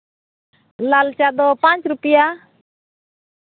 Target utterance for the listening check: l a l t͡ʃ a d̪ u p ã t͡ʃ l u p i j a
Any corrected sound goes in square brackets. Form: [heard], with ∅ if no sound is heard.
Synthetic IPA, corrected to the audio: l a l t͡ʃ a d̪ [ɔ] p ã t͡ʃ [ɾ] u p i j a